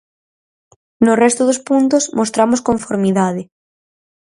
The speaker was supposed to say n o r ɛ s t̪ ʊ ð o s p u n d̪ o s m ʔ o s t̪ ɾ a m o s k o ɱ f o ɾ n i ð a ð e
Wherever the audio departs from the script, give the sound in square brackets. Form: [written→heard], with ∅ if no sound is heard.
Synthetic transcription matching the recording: n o r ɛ s t̪ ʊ ð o s p u n [d̪→t̪] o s m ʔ o s t̪ ɾ a m o s k o ɱ f o ɾ [n→m] i ð a ð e